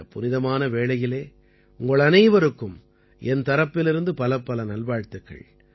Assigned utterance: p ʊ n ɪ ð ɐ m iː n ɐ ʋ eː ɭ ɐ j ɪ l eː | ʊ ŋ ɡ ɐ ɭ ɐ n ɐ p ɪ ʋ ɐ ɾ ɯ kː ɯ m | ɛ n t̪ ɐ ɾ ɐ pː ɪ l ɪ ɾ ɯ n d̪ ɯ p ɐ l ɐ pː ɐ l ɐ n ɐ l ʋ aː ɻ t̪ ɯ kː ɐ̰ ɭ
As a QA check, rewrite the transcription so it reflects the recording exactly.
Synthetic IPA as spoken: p ʊ n ɪ ð ɐ m aː n ɐ ʋ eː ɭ ɐ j ɪ l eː | ʊ ŋ ɡ ɐ ɭ ɐ n ɐ ɪ ʋ ɐ ɾ ɯ kː ɯ m | ɛ n t̪ ɐ ɾ ɐ pː ɪ l ɪ ɾ ɯ n d̪ ɯ p ɐ l ɐ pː ɐ l ɐ n ɐ l ʋ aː ɻ t̪ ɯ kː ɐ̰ ɭ